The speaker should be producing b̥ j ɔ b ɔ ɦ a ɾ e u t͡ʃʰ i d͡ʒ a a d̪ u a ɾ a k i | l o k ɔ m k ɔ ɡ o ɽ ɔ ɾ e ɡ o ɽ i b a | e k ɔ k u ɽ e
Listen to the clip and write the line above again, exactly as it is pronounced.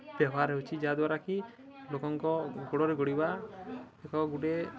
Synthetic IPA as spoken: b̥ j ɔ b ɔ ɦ a ɾ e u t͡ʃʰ i d͡ʒ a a d̪ w a ɾ a k i | l o k ɔ ŋ k ɔ ɡ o ɽ ɔ ɾ e ɡ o ɽ i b a | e k ɔ ɡ u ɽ e

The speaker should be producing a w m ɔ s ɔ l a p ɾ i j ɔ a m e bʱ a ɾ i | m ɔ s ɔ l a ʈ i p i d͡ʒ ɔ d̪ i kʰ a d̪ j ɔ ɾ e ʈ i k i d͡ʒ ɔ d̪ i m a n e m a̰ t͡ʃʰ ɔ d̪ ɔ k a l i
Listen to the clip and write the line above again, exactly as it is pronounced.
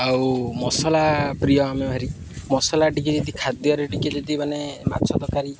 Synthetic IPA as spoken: a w m ɔ s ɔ l a p ɾ i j ɔ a m e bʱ a ɾ i | m ɔ s ɔ l a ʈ i k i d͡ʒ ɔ d̪ i kʰ a d̪ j ɔ ɾ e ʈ i k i d͡ʒ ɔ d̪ i m a n e m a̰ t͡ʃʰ ɔ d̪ ɔ k a ɾ i

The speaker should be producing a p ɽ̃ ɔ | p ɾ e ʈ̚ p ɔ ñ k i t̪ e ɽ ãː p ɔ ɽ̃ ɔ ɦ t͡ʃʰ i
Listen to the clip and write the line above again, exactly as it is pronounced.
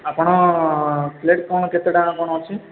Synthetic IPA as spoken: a p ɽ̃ ɔ | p l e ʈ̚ k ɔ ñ k e t̪ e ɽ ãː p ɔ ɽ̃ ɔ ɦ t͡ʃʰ i

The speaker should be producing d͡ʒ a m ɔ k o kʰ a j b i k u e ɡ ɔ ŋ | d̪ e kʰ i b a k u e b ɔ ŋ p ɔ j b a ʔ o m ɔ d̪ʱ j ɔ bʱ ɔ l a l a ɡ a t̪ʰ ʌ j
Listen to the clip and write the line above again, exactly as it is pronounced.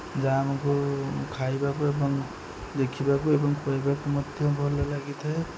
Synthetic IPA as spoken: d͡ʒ a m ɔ k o kʰ a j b a k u e b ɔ ŋ | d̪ e kʰ i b a k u e b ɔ ŋ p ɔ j b a k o m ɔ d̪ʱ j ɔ bʱ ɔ l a l a ɡ i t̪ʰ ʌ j

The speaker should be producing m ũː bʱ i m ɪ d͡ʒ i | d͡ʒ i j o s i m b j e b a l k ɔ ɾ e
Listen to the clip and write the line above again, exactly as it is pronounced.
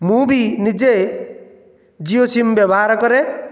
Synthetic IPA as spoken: m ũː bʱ i n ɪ d͡ʒ e | d͡ʒ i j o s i m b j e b a ɾ k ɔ ɾ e

